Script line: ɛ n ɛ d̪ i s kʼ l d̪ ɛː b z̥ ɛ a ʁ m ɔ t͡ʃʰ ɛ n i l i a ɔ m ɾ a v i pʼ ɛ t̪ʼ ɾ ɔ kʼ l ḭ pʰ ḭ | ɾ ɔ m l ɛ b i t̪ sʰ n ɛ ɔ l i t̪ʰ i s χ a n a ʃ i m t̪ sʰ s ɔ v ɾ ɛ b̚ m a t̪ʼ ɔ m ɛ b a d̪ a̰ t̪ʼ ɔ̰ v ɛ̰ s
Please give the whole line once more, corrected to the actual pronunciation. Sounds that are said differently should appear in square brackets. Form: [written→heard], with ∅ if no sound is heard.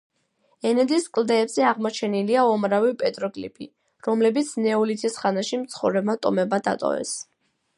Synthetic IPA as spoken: ɛ n ɛ d̪ i s kʼ l d̪ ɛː b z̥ ɛ a ʁ m ɔ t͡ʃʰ ɛ n i l i a ɔ m ɾ a v i pʼ ɛ t̪ʼ ɾ ɔ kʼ l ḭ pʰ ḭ | ɾ ɔ m l ɛ b i t̪ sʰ n ɛ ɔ l i t̪ʰ i s χ a n a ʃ i m t̪ sʰ [s→χ] ɔ v ɾ ɛ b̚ m a t̪ʼ ɔ m ɛ b a d̪ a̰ t̪ʼ ɔ̰ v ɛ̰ s